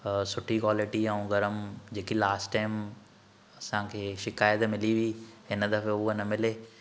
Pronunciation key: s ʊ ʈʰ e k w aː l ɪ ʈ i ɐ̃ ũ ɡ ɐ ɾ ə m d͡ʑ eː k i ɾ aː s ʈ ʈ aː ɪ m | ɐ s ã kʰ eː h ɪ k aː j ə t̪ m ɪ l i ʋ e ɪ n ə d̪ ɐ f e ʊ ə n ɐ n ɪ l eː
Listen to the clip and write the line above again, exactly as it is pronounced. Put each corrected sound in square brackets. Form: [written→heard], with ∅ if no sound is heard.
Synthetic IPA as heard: s ʊ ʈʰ [e→i] k w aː l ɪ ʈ i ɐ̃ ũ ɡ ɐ ɾ ə m d͡ʑ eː k i [ɾ→l] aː s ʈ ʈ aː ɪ m | ɐ s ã kʰ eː [h→ʃ] ɪ k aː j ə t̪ m ɪ l i ʋ [e→i] ɪ n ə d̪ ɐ f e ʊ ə n ɐ [n→m] ɪ l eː